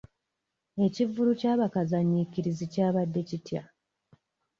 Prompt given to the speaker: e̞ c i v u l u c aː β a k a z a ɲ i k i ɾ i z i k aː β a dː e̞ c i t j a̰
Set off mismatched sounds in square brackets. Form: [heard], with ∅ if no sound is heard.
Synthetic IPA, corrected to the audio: e̞ c i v u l u c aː β a k a z a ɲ i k i ɾ i z i [c] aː β a dː e̞ c i t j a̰